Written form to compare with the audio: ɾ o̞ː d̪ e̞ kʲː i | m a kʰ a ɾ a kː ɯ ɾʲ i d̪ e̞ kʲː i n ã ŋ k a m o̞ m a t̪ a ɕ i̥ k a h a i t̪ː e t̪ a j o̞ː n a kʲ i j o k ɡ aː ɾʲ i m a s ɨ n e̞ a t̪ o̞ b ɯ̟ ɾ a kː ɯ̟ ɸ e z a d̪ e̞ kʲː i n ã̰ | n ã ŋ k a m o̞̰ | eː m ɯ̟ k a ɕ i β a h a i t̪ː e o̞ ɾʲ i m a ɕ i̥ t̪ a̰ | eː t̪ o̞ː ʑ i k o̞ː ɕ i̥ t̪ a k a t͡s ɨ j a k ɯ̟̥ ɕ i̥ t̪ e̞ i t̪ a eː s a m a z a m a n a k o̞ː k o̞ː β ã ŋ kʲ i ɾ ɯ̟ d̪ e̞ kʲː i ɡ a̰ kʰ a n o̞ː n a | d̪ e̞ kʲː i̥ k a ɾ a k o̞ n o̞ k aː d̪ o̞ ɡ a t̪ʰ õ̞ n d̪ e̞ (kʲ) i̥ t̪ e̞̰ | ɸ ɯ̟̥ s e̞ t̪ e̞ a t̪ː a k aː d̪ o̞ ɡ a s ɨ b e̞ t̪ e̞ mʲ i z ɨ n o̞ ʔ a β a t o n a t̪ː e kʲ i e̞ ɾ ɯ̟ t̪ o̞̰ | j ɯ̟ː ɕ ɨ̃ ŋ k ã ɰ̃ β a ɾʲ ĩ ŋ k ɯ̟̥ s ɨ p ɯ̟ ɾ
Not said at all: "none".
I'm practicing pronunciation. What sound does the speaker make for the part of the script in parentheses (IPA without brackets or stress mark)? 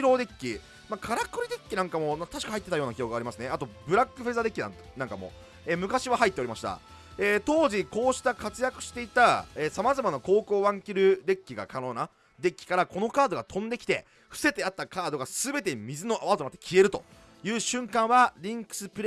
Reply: kʲ